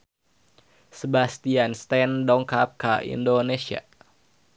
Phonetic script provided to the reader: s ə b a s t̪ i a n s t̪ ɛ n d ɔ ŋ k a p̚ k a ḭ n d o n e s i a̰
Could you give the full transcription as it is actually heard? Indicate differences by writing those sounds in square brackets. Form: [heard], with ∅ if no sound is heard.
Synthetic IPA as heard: s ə b a s t̪ i a n s t̪ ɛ n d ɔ ŋ k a p̚ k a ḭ n d o n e s i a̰